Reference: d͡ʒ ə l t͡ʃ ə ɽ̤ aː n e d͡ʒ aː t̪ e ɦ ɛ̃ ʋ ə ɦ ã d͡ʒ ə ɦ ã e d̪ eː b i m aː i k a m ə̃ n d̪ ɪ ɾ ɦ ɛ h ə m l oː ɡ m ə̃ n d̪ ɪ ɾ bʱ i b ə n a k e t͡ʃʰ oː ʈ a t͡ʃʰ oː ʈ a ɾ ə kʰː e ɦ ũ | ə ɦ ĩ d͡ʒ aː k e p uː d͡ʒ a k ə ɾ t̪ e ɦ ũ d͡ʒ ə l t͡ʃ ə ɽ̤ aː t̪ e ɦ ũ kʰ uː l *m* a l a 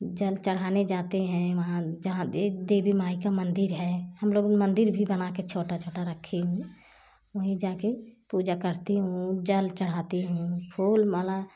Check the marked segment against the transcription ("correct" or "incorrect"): correct